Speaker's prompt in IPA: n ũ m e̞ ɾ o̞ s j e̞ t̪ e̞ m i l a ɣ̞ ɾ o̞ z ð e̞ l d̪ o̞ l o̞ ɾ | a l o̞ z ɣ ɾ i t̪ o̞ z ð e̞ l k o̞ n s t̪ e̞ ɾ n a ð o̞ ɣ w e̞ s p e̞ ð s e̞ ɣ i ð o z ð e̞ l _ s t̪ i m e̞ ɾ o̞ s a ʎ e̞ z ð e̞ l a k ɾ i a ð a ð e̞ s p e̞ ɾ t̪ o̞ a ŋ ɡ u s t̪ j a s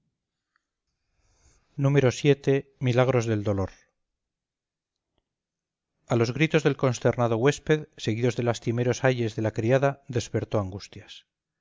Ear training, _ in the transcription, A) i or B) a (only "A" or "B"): B